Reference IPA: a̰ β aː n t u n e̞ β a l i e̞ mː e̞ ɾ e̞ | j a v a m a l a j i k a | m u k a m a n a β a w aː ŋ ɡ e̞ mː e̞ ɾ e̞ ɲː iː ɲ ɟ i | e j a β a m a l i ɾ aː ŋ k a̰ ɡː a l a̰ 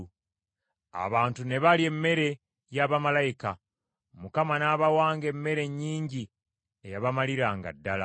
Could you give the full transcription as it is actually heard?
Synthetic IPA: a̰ β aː n t u n e̞ β a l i e̞ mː e̞ ɾ e̞ | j a β a m a l a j i k a | m u k a m a n a β a w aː ŋ ɡ e̞ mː e̞ ɾ e̞ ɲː iː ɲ ɟ i | e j a β a m a l i ɾ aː ŋ ɡ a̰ dː a l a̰